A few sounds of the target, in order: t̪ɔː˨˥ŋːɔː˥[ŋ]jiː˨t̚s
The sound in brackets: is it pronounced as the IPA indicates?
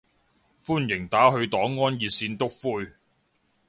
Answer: no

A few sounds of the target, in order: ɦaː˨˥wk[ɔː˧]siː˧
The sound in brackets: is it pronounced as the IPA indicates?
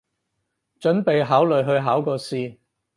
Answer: yes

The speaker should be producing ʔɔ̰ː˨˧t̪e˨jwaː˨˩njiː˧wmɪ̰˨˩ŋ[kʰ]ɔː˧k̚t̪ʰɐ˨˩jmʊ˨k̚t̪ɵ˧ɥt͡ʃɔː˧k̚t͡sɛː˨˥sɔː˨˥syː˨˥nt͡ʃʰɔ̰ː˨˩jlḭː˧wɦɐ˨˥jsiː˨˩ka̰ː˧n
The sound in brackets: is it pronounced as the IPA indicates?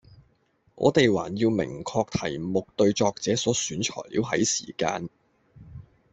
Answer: yes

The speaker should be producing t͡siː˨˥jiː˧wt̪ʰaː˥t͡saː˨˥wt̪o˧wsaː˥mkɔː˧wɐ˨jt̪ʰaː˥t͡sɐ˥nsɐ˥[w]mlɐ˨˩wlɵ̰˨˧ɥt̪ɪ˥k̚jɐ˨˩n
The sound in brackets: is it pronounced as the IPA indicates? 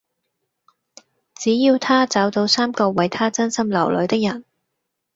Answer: no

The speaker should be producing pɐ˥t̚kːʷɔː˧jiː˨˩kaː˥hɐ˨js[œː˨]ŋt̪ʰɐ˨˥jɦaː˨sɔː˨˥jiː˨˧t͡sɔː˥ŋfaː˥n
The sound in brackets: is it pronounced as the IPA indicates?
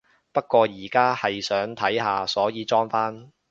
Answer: no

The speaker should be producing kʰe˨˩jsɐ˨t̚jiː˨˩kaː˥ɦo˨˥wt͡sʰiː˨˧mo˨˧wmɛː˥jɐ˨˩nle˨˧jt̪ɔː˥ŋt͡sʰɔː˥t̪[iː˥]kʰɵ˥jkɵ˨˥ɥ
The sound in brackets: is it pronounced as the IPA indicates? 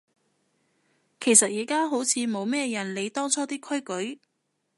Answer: yes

